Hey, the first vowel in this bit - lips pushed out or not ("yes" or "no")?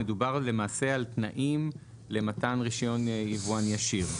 no